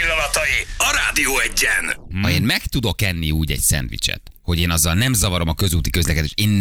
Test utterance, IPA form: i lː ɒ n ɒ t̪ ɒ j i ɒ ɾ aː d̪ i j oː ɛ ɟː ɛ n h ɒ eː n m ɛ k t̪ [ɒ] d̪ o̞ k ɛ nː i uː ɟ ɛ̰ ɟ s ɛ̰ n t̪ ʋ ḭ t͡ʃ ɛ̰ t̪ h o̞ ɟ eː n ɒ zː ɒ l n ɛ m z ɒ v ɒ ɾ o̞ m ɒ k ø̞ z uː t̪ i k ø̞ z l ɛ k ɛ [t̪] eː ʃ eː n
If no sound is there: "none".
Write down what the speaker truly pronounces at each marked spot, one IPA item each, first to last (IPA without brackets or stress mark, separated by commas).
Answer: u, d̪